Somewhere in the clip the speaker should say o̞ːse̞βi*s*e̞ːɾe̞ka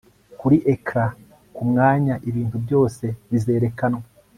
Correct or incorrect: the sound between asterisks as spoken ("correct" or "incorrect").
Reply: incorrect